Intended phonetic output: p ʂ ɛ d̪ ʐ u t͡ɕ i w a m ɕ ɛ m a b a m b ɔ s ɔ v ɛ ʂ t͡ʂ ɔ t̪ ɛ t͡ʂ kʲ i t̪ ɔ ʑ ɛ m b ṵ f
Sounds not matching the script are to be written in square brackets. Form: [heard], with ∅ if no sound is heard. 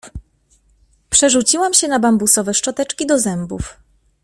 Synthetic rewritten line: p ʂ ɛ [∅] ʐ u t͡ɕ i w a m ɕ ɛ [n] a b a m b [u] s ɔ v ɛ ʂ t͡ʂ ɔ t̪ ɛ t͡ʂ kʲ i [d̪] ɔ [z] ɛ m b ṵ f